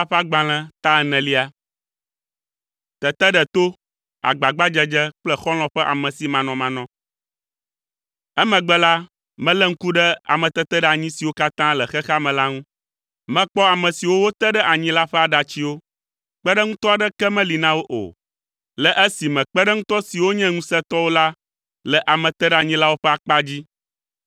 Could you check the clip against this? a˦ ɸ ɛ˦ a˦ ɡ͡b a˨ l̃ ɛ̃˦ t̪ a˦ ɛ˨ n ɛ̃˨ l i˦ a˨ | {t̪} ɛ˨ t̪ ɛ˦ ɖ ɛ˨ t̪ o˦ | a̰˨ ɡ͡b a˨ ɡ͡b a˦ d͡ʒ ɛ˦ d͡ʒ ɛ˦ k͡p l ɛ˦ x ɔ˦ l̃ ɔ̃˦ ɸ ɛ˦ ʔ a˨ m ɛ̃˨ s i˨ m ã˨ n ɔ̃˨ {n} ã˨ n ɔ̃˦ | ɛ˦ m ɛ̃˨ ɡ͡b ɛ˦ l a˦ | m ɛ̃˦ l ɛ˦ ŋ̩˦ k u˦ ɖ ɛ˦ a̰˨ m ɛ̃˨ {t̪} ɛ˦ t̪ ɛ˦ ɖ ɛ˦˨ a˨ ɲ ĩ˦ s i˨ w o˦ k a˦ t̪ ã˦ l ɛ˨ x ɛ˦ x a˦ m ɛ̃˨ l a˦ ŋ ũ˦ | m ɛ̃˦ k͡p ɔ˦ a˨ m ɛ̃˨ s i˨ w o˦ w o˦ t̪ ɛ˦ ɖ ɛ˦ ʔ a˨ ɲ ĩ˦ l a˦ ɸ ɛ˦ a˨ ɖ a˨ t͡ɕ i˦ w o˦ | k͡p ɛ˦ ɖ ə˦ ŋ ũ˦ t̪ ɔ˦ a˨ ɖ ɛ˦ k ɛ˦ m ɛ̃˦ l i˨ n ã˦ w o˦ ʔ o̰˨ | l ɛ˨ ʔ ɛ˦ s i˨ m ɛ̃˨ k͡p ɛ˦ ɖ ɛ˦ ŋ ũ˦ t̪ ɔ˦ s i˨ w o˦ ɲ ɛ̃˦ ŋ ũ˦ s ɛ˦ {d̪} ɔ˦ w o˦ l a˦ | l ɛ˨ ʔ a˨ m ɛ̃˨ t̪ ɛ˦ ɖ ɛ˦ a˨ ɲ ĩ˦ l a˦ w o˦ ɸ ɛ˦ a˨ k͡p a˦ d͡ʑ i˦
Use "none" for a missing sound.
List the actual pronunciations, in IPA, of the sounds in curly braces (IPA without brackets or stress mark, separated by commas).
t̪, m, t̪, t̪